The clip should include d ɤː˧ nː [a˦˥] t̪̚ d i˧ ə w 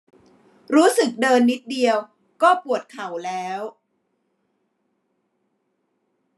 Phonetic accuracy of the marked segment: incorrect: i˦˥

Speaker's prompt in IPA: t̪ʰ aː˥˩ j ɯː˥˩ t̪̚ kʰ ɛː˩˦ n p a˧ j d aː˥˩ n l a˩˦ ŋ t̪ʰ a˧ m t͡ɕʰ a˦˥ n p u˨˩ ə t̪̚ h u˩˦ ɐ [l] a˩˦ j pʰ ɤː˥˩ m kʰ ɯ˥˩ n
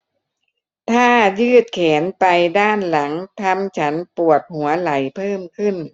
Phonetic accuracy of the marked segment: correct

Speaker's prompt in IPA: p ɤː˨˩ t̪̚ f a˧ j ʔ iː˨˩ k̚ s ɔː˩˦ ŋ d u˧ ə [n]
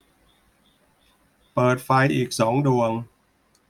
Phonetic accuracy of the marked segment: incorrect: ŋ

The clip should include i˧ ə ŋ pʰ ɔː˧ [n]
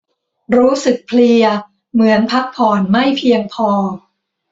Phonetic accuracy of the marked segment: incorrect: none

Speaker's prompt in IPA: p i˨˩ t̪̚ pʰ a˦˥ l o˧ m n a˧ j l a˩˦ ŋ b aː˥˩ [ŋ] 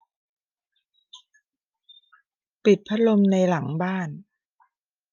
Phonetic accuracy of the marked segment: incorrect: n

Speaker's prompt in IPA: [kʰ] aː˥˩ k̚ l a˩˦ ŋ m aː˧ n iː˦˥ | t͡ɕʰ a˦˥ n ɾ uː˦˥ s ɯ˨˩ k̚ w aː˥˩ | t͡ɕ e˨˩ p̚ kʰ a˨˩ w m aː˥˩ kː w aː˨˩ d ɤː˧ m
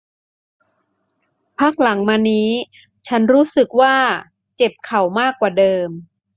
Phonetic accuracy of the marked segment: incorrect: pʰ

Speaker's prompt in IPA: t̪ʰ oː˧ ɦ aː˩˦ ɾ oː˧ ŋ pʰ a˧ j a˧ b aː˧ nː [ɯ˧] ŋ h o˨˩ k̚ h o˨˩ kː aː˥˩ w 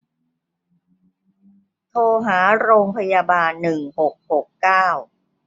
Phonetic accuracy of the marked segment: incorrect: ɯ˨˩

